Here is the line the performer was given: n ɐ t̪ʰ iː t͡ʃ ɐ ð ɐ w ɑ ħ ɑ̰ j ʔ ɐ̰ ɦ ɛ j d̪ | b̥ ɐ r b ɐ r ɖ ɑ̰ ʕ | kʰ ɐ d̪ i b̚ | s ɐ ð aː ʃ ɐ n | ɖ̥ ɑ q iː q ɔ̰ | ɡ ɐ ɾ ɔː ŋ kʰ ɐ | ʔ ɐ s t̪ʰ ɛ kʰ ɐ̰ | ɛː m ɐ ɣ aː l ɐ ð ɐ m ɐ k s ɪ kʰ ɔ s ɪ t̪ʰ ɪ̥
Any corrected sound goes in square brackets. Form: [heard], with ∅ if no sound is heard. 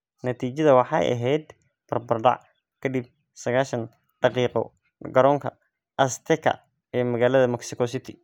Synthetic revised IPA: n ɐ t̪ʰ iː t͡ʃ ɐ ð ɐ w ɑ ħ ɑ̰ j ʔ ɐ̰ ɦ ɛ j d̪ | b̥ ɐ r b ɐ r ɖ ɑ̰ ʕ | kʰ ɐ d̪ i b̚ | s ɐ [ɣ] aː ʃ ɐ n | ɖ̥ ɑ q iː q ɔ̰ | ɡ ɐ ɾ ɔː ŋ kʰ ɐ | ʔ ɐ s t̪ʰ ɛ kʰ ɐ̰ | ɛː m ɐ ɣ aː l ɐ ð ɐ m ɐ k s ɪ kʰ ɔ s ɪ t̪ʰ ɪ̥